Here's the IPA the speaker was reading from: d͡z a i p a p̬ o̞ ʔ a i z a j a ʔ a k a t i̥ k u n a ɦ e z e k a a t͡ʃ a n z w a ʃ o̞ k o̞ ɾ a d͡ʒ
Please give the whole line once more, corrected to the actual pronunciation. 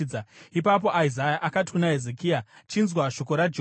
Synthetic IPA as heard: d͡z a i p a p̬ o̞ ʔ a i z a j a ʔ a k a t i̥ k u n a ɦ e z e k i a t͡ʃ i n z w a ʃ o̞ k o̞ ɾ a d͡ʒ